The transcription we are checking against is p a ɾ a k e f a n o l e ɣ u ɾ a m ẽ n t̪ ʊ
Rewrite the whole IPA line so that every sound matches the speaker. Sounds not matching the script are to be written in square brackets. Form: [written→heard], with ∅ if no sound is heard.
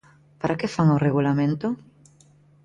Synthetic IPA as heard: p a ɾ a k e f a [n→ŋ] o [l→r] e ɣ u [ɾ→l] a m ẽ n t̪ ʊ